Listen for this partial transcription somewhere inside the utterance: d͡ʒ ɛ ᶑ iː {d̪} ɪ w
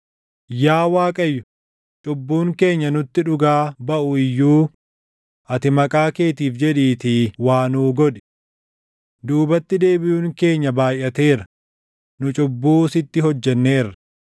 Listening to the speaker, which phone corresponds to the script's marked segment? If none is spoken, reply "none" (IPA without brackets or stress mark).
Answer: t̪